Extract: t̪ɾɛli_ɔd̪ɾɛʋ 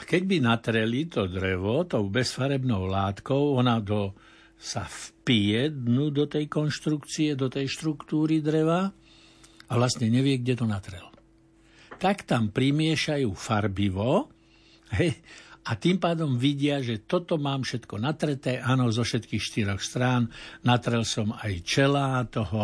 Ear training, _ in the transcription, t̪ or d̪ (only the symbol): t̪